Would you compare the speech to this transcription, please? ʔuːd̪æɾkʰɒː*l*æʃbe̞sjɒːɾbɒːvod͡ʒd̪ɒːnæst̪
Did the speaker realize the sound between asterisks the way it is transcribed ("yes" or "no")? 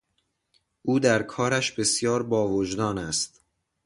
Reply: no